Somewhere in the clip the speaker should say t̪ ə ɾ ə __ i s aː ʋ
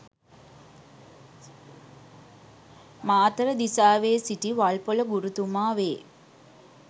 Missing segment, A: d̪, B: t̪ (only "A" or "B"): A